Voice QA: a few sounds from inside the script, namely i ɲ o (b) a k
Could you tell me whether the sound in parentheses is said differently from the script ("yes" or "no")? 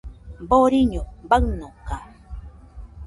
no